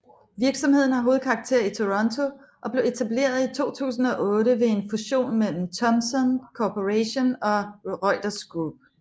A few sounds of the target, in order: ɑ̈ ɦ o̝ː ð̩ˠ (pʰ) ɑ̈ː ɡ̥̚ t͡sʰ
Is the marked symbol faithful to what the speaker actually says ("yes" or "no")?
no